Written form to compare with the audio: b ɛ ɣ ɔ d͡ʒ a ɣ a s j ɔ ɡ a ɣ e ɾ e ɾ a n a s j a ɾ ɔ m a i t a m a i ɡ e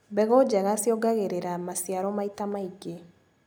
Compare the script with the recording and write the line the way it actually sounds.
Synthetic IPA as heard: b ɛ ɣ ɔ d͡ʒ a ɣ a s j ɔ ɡ a ɣ e ɾ e ɾ a m a s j a ɾ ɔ m a i t a m a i ɡ e